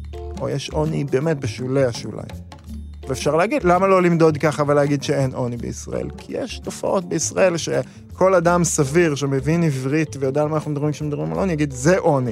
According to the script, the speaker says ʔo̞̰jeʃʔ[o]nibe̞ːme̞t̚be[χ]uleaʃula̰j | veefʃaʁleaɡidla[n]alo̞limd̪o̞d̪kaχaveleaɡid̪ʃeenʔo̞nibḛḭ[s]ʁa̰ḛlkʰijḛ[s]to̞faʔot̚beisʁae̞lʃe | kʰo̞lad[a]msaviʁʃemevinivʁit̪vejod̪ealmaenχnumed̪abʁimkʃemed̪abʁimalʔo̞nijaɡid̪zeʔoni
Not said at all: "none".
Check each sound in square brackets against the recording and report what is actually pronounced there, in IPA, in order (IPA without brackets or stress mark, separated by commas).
o, ʃ, m, s, ʃ, a